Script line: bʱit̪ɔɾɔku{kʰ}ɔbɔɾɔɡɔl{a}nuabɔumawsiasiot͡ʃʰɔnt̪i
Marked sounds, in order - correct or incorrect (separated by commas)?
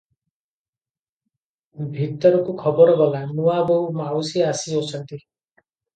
correct, correct